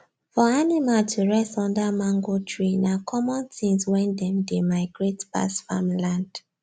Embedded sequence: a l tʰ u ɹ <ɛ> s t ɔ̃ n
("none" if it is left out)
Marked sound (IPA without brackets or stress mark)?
ɛ